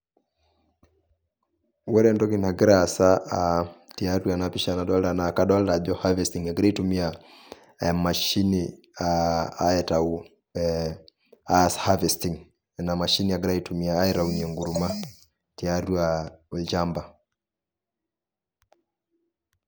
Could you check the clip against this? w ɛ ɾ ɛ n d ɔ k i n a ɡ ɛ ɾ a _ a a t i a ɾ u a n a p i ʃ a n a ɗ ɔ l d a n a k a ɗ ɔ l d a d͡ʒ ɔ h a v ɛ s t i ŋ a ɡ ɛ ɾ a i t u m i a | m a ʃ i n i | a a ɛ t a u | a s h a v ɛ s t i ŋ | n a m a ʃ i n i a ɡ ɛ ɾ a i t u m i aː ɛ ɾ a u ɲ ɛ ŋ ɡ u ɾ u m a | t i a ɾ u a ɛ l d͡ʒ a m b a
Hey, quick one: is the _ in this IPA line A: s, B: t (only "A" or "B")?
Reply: A